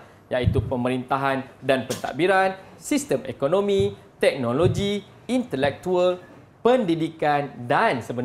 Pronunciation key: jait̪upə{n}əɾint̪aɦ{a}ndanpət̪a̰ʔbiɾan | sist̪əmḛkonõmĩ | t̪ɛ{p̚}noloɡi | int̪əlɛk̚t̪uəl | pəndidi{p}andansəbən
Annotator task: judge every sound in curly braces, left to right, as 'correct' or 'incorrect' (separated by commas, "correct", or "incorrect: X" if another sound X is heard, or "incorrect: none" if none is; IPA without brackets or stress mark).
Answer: incorrect: m, correct, incorrect: k̚, incorrect: k